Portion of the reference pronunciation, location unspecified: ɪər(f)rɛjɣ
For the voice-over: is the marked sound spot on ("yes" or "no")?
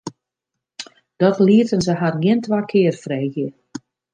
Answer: yes